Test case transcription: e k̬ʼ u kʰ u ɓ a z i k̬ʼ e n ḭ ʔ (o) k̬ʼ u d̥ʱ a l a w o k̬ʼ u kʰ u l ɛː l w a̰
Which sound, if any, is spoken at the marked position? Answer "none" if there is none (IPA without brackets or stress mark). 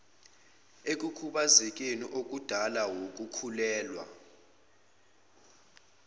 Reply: o